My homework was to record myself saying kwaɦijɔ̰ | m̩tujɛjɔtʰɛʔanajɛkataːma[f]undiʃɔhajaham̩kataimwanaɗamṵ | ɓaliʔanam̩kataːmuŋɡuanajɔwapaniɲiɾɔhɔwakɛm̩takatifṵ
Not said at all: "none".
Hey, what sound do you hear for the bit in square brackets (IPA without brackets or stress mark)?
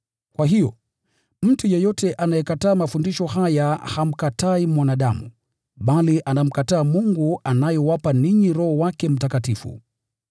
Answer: f